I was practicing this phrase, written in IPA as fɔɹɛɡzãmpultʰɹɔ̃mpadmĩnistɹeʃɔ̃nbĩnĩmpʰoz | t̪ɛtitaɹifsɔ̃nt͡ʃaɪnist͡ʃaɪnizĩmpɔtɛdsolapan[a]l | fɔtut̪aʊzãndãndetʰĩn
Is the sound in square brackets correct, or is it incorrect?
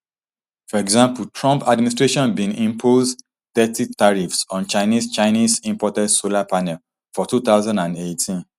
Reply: incorrect: ɛ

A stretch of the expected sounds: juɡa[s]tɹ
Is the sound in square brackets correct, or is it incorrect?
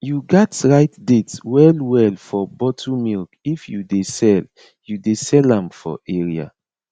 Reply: incorrect: none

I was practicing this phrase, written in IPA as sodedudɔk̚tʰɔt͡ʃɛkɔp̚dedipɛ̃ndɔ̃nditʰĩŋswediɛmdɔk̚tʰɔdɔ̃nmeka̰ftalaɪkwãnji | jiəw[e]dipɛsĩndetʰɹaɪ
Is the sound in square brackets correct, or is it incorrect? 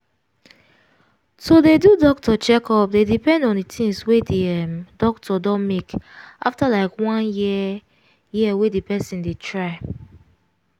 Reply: correct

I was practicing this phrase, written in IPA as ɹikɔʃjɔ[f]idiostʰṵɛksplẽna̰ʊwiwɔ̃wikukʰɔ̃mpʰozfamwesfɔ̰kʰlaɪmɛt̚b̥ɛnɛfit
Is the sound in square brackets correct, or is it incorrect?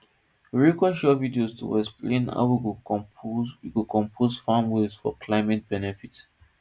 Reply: incorrect: v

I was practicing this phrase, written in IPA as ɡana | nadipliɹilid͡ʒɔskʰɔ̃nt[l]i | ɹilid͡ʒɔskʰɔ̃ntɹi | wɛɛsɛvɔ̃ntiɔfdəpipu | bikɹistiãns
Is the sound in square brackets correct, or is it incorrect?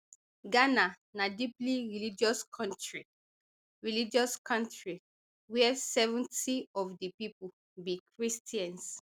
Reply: incorrect: ɹ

